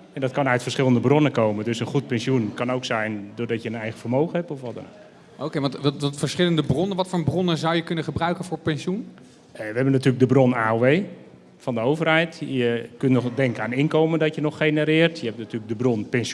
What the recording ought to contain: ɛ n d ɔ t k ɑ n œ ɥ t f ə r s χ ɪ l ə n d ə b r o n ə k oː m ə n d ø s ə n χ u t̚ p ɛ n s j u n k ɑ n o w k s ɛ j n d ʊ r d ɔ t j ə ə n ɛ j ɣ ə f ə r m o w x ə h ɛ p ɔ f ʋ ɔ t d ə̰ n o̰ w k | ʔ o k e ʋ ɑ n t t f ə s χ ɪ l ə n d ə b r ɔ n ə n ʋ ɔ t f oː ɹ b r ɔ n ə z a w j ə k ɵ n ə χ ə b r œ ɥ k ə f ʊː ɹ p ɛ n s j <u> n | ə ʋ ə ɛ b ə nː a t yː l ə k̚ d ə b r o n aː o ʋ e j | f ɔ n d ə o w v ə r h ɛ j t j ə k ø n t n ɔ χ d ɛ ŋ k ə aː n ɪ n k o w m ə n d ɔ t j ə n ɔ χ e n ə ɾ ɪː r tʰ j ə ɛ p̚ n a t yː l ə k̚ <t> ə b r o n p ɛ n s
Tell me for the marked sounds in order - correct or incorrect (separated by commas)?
correct, incorrect